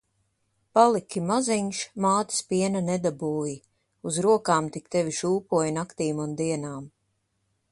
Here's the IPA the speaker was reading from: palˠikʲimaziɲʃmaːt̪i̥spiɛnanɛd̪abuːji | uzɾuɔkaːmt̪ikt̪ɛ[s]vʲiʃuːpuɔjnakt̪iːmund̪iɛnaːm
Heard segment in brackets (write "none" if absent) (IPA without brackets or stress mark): none